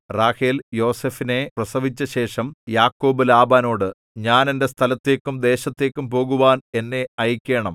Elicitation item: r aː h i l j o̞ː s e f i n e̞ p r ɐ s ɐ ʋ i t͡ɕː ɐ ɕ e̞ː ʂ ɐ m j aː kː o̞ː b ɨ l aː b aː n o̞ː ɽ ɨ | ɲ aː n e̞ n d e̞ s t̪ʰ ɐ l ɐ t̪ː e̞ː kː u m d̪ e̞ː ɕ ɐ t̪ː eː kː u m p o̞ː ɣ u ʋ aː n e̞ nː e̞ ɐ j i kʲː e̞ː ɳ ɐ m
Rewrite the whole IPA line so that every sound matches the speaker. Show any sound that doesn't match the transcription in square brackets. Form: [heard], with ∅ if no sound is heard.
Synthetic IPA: r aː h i l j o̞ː s e f i n e̞ p r ɐ s ɐ ʋ i t͡ɕː ɐ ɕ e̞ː ʂ ɐ m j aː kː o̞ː b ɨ l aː b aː n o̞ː ɽ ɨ | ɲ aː n e̞ n d e̞ s t̪ʰ ɐ l ɐ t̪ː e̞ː kː u m d̪ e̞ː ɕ ɐ t̪ː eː kː u m p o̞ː ɣ u ʋ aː n e̞ nː e̞ ɐ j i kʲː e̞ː ɳ ɐ m